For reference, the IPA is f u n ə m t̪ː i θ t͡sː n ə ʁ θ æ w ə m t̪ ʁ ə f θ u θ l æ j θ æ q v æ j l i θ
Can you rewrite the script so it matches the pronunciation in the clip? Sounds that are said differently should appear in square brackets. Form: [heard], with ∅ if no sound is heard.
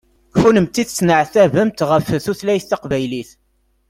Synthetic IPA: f u n ə m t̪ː i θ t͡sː n ə [ʕ] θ æ [v] ə m t̪ ʁ ə f θ u θ l æ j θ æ q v æ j l i θ